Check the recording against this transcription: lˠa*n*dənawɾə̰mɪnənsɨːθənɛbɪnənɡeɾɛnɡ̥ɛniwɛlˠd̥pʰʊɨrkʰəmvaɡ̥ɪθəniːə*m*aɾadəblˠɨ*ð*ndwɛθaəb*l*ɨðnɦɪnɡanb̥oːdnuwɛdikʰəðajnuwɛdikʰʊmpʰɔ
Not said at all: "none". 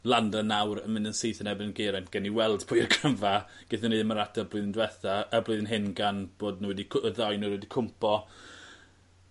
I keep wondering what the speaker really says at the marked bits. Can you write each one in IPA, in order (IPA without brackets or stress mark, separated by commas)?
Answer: n, m, ð, l